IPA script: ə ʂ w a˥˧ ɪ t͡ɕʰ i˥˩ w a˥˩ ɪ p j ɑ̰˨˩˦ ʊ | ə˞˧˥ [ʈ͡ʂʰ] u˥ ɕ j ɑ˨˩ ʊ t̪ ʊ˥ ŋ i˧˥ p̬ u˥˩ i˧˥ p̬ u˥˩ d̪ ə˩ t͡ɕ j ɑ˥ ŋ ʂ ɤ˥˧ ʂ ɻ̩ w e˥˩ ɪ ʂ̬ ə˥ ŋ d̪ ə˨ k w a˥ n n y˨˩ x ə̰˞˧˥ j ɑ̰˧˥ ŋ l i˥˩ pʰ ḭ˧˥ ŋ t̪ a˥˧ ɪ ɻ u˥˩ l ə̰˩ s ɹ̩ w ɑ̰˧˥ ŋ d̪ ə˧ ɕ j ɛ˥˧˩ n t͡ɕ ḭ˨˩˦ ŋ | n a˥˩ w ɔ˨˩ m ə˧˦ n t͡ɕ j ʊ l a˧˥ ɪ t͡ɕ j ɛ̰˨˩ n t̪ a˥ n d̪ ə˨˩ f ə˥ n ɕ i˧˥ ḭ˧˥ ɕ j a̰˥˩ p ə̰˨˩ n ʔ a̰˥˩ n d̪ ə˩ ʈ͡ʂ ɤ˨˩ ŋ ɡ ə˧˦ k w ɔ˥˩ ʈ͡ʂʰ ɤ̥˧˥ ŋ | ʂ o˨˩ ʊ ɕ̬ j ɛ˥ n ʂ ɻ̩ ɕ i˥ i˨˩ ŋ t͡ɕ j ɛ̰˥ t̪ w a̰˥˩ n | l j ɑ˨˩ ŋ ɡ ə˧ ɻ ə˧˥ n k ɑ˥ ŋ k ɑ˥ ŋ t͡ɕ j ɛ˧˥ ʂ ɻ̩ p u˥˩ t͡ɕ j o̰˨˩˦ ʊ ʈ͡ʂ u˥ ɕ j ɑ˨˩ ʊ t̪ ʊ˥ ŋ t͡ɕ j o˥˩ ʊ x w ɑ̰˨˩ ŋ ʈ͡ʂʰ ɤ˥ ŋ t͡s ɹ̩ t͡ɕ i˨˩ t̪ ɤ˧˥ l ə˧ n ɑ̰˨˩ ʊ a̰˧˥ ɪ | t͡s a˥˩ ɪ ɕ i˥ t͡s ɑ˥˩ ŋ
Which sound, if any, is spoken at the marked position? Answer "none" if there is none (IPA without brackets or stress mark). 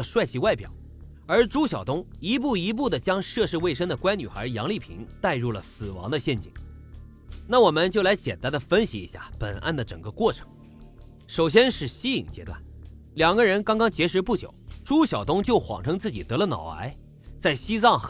ʈ͡ʂ